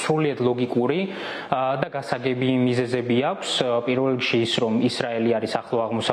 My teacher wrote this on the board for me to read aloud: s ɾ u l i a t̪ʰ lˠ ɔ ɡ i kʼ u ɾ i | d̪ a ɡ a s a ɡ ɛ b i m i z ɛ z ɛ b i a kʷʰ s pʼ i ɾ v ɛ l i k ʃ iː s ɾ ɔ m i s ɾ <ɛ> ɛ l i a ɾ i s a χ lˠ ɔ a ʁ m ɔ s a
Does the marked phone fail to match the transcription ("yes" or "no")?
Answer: yes